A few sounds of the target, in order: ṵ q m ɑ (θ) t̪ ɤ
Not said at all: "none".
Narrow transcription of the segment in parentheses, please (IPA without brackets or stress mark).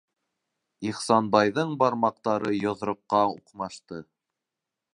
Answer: ʃ